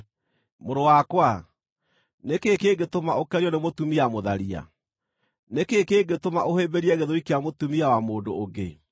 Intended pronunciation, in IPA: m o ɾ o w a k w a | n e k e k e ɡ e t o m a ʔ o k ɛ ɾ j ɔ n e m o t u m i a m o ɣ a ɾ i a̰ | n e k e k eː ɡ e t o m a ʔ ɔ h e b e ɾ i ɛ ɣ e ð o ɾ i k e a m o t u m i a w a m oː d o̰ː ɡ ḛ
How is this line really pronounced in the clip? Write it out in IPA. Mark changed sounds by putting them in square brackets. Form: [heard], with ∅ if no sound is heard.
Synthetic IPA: m o ɾ o w a k w a | n e k e k e ɡ e t o m a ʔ o k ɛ ɾ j ɔ n e m o t u m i a m o [ð] a ɾ i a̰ | n e k e k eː ɡ e t o m a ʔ [o] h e b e ɾ i ɛ ɣ e ð o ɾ i k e a m o t u m i a w a m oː d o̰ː ɡ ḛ